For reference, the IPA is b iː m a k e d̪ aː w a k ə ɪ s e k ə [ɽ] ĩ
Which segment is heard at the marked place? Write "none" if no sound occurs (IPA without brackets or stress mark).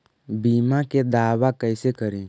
ɾ